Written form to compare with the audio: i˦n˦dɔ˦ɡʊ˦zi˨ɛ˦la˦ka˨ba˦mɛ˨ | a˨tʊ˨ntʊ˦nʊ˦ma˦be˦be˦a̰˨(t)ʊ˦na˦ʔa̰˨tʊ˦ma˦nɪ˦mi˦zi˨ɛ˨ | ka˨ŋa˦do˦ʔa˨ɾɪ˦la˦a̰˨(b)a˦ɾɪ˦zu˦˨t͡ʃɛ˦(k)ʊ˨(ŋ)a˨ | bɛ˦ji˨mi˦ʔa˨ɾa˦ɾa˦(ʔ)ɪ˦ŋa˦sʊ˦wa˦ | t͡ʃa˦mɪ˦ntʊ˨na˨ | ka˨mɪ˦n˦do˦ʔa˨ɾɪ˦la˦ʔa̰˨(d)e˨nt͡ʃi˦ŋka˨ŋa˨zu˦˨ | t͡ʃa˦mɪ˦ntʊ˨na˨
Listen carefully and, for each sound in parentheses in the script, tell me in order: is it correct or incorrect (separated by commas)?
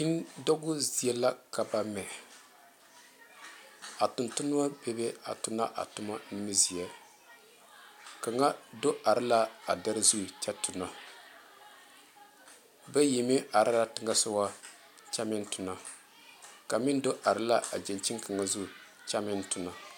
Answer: correct, incorrect, incorrect, incorrect, incorrect, incorrect